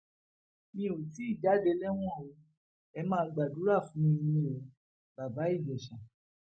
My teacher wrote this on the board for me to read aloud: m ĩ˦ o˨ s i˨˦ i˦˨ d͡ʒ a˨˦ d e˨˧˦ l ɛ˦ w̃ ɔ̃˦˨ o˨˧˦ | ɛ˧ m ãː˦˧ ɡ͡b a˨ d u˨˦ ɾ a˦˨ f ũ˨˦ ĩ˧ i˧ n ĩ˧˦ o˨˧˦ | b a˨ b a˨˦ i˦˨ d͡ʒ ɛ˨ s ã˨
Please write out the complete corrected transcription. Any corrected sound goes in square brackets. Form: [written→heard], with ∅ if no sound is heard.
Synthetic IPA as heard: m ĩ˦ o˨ [s→t] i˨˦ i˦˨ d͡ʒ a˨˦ d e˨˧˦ l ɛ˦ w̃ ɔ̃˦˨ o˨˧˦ | ɛ˧ m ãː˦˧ ɡ͡b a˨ d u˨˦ ɾ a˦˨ f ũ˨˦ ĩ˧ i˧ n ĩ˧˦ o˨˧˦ | b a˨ b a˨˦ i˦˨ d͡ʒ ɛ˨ [s→ʃ] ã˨